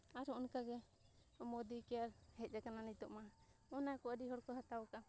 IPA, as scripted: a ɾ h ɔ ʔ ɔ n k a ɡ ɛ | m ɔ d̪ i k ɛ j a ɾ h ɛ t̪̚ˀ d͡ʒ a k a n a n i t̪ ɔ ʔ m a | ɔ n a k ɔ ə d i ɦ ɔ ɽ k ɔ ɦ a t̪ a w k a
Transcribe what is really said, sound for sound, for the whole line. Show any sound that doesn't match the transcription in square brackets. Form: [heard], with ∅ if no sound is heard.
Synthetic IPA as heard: a ɾ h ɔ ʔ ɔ n k a ɡ ɛ | m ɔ d̪ i k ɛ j a ɾ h ɛ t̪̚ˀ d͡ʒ a k a n a n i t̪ ɔ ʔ m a | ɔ n a k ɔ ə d i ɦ ɔ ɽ k ɔ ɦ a t̪ a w k a